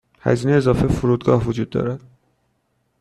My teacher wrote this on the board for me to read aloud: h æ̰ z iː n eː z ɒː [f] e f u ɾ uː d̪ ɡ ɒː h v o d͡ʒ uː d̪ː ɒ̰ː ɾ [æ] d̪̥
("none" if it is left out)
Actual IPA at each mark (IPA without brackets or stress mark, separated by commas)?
f, æ